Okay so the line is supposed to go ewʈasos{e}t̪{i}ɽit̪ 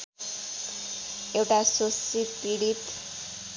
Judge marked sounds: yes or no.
no, yes

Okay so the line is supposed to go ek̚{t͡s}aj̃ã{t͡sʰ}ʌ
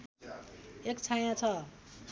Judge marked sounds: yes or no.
no, yes

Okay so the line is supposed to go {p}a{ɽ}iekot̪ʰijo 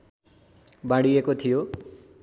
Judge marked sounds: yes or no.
no, yes

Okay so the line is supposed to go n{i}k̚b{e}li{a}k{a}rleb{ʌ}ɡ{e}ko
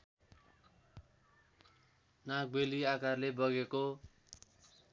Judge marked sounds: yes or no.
no, yes, yes, yes, yes, yes

